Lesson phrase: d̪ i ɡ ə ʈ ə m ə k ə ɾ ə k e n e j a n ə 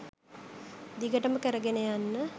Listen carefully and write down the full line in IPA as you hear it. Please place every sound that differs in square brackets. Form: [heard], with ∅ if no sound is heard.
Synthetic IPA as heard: d̪ i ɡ ə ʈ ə m ə k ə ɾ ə [ɡ] e n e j a [nː] ə